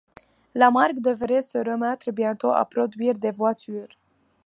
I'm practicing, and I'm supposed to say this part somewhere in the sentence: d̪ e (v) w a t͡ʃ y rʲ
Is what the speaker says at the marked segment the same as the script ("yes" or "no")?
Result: yes